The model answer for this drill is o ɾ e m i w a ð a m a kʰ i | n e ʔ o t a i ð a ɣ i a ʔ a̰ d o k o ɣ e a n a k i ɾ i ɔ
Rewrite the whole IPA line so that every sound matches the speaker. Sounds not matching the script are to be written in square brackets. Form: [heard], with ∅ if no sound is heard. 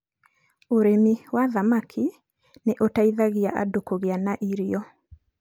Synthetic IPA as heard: o ɾ e m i w a ð a m a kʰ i | n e ʔ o t a i ð a ɣ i a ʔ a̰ d o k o ɣ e a n a [ʔ] i ɾ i ɔ